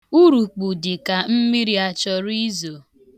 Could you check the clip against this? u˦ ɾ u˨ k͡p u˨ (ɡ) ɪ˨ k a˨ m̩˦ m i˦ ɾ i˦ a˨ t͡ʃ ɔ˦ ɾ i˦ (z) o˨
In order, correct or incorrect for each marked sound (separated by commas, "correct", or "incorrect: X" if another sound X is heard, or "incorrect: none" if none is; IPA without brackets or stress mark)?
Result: incorrect: d, correct